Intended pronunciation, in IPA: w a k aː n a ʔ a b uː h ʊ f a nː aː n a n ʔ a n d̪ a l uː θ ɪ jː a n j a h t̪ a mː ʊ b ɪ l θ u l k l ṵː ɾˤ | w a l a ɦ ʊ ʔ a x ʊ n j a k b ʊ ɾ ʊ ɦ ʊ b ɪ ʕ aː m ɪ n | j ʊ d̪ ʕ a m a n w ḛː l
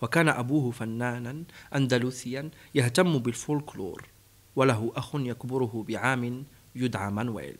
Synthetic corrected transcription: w a k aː n a ʔ a b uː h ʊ f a nː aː n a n ʔ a n d̪ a l uː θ ɪ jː a n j a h t̪ a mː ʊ b ɪ l f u l k l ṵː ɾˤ | w a l a ɦ ʊ ʔ a x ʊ n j a k b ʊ ɾ ʊ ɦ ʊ b ɪ ʕ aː m ɪ n | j ʊ d̪ ʕ a m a n w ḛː l